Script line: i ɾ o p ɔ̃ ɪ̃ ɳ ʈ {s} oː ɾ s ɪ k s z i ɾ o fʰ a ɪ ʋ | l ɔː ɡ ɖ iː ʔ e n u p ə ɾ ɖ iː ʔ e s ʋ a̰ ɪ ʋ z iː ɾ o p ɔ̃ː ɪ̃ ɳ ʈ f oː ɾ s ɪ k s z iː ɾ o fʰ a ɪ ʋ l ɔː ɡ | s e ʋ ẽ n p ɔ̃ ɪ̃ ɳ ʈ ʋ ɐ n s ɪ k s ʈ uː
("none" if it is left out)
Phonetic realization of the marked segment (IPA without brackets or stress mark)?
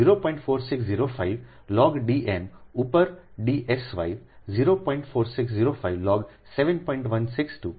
f